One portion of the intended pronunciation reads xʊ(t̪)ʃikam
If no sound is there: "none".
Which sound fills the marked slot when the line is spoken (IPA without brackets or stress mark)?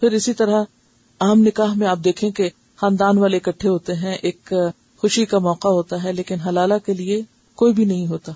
none